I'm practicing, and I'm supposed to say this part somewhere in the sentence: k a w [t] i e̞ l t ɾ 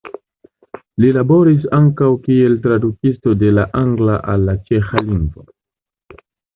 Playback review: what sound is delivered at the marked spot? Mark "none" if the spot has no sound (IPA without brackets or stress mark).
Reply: k